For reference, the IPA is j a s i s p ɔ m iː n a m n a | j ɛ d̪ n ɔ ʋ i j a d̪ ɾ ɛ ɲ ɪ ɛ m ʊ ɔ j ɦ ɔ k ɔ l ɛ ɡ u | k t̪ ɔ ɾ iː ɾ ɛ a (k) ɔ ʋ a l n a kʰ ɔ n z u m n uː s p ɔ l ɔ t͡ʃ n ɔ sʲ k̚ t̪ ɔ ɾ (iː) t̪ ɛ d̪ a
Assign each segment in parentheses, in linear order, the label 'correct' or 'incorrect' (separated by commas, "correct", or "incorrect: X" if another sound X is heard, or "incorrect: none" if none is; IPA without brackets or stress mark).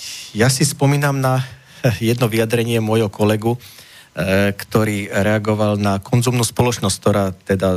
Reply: incorrect: ɡ, incorrect: aː